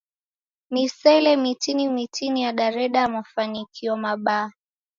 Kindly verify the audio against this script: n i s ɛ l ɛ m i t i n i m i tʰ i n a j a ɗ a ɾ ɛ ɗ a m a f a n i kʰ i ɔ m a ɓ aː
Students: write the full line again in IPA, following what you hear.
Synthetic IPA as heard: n i s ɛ l ɛ m i t i n i m i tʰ i n i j a ɗ a ɾ ɛ ɗ a m a f a n i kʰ i ɔ m a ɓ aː